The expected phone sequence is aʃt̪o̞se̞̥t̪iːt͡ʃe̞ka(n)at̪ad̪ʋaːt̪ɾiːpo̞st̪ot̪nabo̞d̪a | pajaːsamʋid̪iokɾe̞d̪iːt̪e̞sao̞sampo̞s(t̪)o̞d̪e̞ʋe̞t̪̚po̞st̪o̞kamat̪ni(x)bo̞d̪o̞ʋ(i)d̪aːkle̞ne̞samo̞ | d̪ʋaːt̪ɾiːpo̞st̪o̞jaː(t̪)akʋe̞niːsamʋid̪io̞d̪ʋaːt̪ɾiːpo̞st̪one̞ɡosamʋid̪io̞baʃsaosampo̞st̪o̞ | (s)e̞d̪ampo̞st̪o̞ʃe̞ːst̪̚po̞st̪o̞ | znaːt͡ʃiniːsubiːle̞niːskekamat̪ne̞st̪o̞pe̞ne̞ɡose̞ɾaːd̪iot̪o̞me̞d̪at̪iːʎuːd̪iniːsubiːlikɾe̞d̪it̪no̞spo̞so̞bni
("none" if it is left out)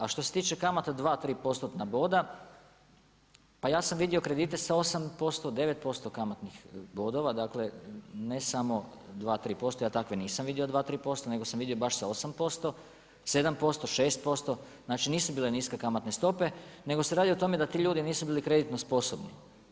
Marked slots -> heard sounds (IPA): m, t̪, x, a, t̪, s

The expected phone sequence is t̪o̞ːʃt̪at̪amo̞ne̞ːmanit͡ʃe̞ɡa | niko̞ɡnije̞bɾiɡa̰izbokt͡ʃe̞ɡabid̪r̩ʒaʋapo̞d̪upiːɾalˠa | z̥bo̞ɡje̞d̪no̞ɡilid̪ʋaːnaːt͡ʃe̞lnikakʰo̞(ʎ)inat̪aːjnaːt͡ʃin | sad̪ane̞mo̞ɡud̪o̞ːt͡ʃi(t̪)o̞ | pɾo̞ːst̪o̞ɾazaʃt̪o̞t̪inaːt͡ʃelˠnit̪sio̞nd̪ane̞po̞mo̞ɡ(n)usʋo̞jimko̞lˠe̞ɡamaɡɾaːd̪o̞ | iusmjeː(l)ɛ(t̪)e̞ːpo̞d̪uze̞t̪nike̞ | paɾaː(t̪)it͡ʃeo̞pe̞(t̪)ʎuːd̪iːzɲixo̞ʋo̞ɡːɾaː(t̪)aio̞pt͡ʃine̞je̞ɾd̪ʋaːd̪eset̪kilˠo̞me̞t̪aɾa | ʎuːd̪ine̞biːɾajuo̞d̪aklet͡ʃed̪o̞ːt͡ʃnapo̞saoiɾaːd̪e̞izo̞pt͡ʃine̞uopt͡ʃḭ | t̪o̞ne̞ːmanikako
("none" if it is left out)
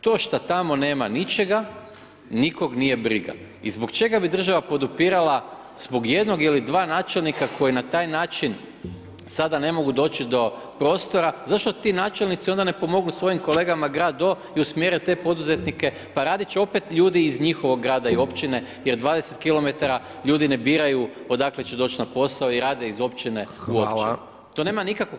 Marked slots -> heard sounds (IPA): j, d̪, n, ɾ, t̪, d̪, t̪, d̪

